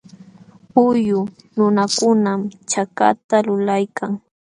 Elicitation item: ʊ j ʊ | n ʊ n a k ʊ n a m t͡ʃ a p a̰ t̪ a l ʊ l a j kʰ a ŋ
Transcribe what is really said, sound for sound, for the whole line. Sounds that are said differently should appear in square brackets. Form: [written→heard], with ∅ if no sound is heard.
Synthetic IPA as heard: ʊ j ʊ | n ʊ n a k ʊ n a m t͡ʃ a [p→k] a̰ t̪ a l ʊ l a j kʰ a ŋ